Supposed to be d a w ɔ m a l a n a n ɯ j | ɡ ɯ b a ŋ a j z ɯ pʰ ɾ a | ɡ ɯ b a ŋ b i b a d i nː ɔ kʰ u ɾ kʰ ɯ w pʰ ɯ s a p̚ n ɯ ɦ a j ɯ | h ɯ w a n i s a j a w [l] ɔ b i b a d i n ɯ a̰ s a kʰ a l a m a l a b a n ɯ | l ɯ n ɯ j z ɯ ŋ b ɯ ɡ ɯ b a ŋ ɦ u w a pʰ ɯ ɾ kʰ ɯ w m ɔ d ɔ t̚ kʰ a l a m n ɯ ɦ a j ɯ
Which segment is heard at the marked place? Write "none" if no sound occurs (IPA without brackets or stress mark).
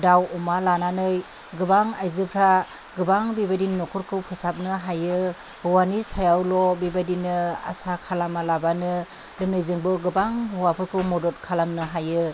l